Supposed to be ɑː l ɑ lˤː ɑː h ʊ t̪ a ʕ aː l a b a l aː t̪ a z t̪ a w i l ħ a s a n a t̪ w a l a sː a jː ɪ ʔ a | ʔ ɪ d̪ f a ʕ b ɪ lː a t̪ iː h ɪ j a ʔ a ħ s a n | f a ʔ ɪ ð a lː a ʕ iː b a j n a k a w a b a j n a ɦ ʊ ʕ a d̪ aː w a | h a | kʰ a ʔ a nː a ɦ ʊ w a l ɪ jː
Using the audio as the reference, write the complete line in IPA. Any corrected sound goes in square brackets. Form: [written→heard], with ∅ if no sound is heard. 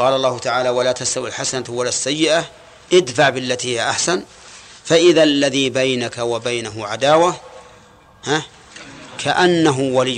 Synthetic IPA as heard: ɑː l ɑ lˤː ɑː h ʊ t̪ a ʕ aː l a [b→w] a l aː t̪ a [z→s] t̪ a w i l ħ a s a n a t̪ w a l a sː a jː ɪ ʔ a | ʔ ɪ d̪ f a ʕ b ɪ lː a t̪ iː h ɪ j a ʔ a ħ s a n | f a ʔ ɪ ð a lː a [ʕ→ð] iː b a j n a k a w a b a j n a ɦ ʊ ʕ a d̪ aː w a | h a | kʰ a ʔ a nː a ɦ ʊ w a l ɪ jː